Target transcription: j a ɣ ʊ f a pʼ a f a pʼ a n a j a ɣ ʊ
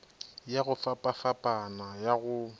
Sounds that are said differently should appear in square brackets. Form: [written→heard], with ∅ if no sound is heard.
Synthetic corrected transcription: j a ɣ ʊ f a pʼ a f a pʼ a n a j a ɣ ʊ